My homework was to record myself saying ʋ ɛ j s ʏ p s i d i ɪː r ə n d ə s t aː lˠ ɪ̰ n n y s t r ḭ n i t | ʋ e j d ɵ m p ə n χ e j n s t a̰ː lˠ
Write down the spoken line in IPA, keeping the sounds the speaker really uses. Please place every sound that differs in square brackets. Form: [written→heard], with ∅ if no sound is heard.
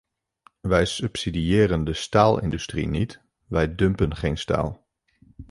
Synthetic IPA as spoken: ʋ ɛ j s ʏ p s i d i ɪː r ə n d ə s t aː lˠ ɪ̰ n [n→d] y s t r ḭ n i t | ʋ [e→ɛ] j d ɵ m p ə n χ e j n s t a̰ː lˠ